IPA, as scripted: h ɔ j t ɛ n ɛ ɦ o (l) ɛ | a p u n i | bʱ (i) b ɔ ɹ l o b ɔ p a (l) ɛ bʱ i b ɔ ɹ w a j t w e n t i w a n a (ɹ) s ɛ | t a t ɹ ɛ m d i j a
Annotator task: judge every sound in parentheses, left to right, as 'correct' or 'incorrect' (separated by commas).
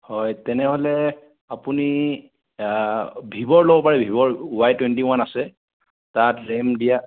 correct, correct, incorrect, incorrect